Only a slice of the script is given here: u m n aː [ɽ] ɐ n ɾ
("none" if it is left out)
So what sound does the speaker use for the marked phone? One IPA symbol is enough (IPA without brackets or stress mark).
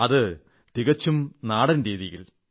ɽ